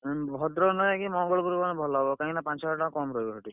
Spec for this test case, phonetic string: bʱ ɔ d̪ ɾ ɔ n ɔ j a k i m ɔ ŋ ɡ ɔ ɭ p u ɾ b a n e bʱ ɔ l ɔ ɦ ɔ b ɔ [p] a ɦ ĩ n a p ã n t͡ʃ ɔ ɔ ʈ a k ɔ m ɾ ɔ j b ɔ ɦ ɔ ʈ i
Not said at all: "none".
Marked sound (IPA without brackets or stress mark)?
k